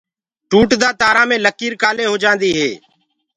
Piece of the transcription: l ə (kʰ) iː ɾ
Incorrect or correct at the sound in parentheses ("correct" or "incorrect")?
incorrect